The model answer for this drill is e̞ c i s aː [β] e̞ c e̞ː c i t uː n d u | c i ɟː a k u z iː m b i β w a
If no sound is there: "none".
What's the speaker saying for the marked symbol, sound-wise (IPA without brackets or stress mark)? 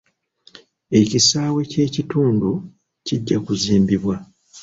w